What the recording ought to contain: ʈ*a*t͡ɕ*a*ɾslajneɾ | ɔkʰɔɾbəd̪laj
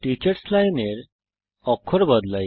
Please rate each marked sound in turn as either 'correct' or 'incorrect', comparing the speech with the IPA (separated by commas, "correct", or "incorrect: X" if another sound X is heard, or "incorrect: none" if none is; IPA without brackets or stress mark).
incorrect: i, incorrect: ə